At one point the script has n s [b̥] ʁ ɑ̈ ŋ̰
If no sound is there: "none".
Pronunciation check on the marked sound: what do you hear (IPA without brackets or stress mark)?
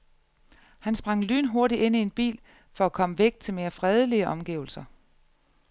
b̥